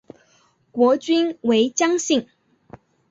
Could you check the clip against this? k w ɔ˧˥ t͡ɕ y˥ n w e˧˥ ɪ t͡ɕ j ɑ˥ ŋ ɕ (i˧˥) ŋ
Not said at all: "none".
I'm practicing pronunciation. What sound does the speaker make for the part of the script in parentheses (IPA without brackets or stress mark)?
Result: i˥˩